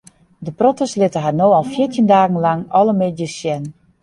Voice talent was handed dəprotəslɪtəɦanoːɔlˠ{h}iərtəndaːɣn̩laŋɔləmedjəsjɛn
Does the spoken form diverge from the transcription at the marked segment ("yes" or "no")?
yes